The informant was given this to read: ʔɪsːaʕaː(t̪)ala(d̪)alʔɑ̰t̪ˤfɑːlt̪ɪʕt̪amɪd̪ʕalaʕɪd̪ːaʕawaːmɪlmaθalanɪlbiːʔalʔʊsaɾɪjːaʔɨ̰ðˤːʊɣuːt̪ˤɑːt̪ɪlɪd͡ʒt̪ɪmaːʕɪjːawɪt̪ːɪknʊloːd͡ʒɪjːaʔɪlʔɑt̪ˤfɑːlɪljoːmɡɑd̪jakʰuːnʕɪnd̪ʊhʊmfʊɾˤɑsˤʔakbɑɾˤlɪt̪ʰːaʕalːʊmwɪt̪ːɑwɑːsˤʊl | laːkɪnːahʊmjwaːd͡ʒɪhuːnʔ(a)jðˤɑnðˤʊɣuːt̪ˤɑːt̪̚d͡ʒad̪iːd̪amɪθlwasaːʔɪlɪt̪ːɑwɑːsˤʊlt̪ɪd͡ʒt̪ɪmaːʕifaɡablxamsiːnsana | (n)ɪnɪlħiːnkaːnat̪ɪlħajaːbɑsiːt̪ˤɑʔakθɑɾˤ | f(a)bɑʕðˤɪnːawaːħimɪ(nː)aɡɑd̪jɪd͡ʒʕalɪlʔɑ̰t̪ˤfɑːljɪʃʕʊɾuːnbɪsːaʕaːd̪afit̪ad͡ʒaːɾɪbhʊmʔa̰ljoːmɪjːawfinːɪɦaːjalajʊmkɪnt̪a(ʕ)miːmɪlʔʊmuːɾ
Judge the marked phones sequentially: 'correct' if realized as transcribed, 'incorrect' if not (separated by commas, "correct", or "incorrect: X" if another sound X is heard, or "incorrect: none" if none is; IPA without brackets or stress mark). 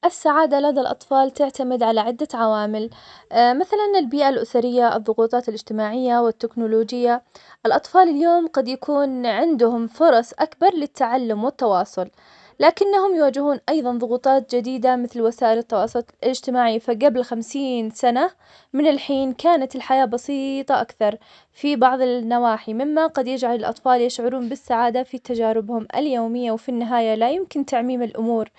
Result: incorrect: d̪, correct, incorrect: ɑ, incorrect: m, incorrect: i, incorrect: mː, correct